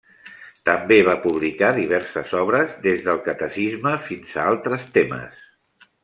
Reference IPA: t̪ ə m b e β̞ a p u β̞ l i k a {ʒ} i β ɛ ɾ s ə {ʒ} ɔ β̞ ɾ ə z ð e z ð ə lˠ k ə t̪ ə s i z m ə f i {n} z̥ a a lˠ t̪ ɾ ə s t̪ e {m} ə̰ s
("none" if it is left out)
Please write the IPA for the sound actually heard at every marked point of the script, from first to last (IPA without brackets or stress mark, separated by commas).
ð, z, n, m